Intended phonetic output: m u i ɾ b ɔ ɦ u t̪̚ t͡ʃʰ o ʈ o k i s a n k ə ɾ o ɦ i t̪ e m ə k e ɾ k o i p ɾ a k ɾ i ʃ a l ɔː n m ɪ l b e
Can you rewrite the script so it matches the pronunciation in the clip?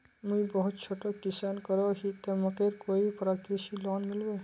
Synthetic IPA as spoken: m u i b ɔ ɦ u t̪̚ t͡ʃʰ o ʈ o k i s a n k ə ɾ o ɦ i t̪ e m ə k e ɾ k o i p ɾ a k ɾ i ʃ i l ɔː n m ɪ l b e